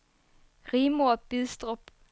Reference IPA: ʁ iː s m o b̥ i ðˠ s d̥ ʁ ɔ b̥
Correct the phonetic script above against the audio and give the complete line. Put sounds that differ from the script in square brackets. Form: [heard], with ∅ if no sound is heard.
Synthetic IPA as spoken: ʁ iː [∅] m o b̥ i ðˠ s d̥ ʁ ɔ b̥